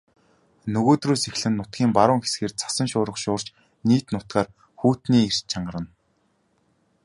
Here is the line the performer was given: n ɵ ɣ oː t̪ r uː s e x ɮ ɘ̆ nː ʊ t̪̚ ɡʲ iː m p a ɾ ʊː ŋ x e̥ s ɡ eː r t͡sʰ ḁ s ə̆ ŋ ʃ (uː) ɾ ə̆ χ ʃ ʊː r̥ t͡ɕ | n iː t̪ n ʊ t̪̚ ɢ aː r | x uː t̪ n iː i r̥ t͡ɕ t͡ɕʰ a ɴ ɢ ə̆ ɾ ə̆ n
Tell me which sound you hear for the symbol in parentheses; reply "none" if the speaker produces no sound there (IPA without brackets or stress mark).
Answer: ʊː